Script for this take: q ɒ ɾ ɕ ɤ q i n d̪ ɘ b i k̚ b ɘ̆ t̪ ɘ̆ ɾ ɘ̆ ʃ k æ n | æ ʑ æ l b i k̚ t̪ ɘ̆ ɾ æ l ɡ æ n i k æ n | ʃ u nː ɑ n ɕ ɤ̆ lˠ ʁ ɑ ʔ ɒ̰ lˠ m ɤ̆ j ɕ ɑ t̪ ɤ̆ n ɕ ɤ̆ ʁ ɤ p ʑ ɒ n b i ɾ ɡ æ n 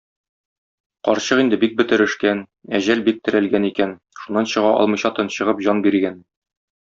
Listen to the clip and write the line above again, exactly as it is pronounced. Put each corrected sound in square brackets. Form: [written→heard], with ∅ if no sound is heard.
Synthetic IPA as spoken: q ɒ ɾ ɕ ɤ q i n d̪ ɘ b i k̚ b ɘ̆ t̪ ɘ̆ ɾ ɘ̆ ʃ k æ n | æ ʑ æ l b i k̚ t̪ ɘ̆ ɾ æ l ɡ æ n i k æ n | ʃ u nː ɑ n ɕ ɤ̆ [lˠ→∅] ʁ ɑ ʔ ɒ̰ lˠ m ɤ̆ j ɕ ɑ t̪ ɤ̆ n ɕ ɤ̆ ʁ ɤ p ʑ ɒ n b i ɾ ɡ æ n

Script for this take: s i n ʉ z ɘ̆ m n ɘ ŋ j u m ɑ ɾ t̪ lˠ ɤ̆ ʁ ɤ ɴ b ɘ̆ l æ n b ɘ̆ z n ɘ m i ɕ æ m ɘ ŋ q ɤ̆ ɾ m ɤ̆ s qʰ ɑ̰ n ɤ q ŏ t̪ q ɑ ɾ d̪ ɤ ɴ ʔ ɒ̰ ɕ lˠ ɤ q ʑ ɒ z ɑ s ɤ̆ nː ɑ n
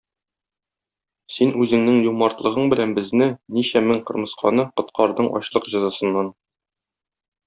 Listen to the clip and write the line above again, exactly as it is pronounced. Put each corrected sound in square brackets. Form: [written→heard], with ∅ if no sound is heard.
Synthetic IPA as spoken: s i n ʉ z ɘ̆ [m→ŋ] n ɘ ŋ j u m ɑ ɾ t̪ lˠ ɤ̆ ʁ ɤ ɴ b ɘ̆ l æ n b ɘ̆ z n ɘ [m→n] i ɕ æ m ɘ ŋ q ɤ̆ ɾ m ɤ̆ s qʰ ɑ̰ n ɤ q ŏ t̪ q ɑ ɾ d̪ ɤ ɴ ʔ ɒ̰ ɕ lˠ ɤ q ʑ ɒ z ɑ s ɤ̆ nː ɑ n

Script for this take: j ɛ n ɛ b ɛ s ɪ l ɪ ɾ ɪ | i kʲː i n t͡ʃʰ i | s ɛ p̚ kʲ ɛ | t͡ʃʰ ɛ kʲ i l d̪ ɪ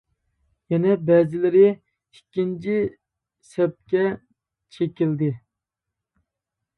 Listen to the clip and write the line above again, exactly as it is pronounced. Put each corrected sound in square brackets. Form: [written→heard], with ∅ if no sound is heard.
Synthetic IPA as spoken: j ɛ n ɛ b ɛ [s→z] ɪ l ɪ ɾ ɪ | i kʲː i n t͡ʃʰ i | s ɛ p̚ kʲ ɛ | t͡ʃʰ [ɛ→e] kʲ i l d̪ ɪ

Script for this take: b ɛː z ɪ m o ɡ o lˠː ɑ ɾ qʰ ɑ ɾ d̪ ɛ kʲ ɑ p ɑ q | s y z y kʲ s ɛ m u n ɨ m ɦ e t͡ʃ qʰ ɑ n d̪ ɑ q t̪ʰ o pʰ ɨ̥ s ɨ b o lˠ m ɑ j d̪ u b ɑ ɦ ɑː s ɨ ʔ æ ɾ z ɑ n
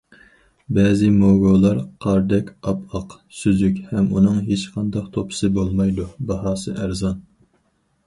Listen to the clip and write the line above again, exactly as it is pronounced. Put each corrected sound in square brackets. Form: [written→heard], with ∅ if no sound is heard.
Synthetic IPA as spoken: b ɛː z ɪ m o ɡ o [lˠː→lˠ] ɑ ɾ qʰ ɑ ɾ d̪ ɛ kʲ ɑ p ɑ q | s y z y kʲ [s→h] ɛ m u n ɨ [m→ŋ] ɦ e t͡ʃ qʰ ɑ n d̪ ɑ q t̪ʰ o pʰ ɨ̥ s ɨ b o lˠ m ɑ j d̪ u b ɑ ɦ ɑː s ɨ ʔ æ ɾ z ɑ n

